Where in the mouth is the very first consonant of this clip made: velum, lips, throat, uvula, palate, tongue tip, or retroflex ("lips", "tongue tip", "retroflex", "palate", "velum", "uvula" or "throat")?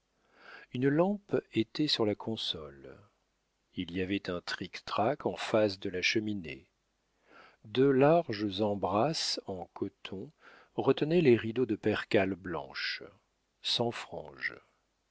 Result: tongue tip